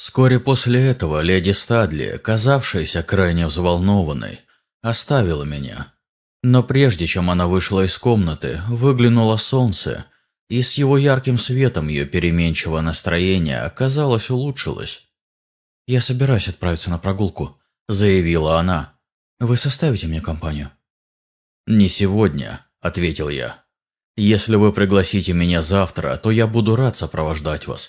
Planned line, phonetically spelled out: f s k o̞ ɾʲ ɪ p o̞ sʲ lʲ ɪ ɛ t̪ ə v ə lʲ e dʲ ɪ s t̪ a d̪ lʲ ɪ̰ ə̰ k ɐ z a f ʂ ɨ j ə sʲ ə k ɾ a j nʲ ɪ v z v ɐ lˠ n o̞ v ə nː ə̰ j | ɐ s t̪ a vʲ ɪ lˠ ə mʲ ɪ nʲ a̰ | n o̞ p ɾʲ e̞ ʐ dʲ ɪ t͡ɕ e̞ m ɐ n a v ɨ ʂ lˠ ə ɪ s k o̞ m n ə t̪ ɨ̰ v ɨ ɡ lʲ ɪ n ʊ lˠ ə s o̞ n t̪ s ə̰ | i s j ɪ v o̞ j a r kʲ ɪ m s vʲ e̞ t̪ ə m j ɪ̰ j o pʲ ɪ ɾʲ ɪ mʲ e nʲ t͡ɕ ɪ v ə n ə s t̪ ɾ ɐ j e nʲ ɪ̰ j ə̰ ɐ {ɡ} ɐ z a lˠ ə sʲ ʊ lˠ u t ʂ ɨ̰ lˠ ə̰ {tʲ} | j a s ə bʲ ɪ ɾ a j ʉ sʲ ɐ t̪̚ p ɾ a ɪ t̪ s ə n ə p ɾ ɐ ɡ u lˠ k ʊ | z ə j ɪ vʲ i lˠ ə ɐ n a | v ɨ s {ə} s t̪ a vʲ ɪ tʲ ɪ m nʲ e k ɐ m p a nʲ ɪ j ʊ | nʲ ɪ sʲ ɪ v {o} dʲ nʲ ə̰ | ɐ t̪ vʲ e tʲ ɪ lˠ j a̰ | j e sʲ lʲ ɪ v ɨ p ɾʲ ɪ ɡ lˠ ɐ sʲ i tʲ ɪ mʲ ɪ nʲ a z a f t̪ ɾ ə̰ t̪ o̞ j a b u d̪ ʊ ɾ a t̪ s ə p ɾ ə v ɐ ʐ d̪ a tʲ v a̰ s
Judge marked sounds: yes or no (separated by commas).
no, no, no, yes